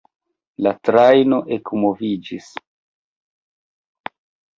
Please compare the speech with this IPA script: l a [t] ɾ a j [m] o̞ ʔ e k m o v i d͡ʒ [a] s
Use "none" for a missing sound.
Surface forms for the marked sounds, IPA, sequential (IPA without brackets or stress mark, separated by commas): t, n, i